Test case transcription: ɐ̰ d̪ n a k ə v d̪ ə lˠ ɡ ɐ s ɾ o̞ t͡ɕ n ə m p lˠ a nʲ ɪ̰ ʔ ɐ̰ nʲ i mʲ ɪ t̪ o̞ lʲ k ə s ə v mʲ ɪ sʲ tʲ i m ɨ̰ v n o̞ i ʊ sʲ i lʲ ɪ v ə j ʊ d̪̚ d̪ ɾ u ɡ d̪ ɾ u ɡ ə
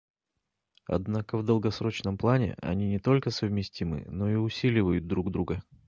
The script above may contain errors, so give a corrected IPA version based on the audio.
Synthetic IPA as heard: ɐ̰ d̪ n a k ə v d̪ ə lˠ ɡ ɐ s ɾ o̞ t͡ɕ n ə m p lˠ a nʲ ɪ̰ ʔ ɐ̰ nʲ i nʲ ɪ t̪ o̞ lʲ k ə s ə v mʲ ɪ sʲ tʲ i m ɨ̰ n o̞ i ʊ sʲ i lʲ ɪ v ə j ʊ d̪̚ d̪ ɾ u ɡ d̪ ɾ u ɡ ə